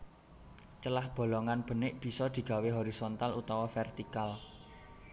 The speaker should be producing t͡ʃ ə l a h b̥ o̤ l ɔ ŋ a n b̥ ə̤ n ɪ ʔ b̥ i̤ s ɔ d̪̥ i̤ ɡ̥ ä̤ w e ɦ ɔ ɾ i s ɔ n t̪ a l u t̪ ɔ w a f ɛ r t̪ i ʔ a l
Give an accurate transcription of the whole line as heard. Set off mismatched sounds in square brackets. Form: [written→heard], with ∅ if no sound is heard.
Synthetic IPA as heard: t͡ʃ ə l a h b̥ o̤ l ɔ ŋ a n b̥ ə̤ n ɪ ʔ b̥ i̤ s ɔ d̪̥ i̤ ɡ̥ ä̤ w e ɦ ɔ ɾ i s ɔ n t̪ a l u t̪ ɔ w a f ɛ r t̪ i [ʔ→k] a l

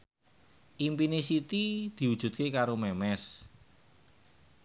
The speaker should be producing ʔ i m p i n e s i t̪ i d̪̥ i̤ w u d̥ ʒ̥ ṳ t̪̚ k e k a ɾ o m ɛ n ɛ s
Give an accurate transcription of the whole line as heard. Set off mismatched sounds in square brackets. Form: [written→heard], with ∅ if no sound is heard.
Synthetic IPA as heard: ʔ i m p i n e s i t̪ i d̪̥ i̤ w u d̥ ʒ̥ ṳ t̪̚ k e k a ɾ o m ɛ [n→m] ɛ s

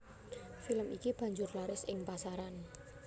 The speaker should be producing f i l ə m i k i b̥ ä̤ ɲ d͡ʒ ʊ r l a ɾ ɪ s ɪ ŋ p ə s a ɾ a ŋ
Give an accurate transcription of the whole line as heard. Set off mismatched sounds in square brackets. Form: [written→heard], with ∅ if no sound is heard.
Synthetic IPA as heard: f i l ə m i k i b̥ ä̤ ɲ d͡ʒ ʊ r l a ɾ ɪ s ɪ ŋ p [ə→a] s a ɾ a [ŋ→n]

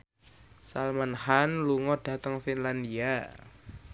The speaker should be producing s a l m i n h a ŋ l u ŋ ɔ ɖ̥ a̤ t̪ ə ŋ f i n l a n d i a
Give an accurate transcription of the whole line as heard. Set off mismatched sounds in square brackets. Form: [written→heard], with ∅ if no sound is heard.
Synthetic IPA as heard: s a l m [i→a] n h a [ŋ→n] l u ŋ ɔ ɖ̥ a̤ t̪ ə ŋ f i n l a n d i a

